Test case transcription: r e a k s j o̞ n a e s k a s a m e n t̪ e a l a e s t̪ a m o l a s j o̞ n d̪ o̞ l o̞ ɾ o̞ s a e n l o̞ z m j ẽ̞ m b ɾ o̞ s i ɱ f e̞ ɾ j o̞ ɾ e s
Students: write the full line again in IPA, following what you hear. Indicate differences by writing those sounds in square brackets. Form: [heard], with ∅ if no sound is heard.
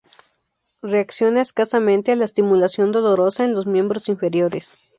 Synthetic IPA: r e a k s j o̞ n a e s k a s a m [ẽ] n t̪ e a l a e s t̪ [i] m [u] l a s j o̞ n d̪ o̞ l o̞ ɾ o̞ s a e n l o̞ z m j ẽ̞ m b ɾ o̞ s i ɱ f e̞ ɾ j o̞ ɾ e s